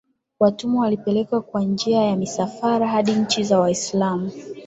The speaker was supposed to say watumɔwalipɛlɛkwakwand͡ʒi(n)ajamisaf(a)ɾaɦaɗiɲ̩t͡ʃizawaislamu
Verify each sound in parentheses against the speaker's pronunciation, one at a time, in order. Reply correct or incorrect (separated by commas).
incorrect, correct